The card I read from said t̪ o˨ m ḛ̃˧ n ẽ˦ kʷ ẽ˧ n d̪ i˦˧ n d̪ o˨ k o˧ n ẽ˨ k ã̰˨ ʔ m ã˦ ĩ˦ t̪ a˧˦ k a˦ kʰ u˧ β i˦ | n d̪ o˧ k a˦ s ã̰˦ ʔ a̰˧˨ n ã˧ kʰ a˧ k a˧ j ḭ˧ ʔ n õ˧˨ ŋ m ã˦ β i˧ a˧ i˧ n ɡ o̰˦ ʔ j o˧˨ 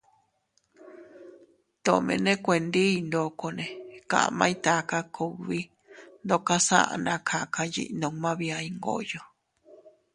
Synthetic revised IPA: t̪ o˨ m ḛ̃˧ n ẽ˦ kʷ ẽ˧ n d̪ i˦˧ n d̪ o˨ k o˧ n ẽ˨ k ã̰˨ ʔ m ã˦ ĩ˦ t̪ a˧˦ k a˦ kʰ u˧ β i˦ | n d̪ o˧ k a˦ s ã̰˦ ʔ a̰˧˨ n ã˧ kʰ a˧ k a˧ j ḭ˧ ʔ n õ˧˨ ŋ m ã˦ β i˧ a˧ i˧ ŋ ɡ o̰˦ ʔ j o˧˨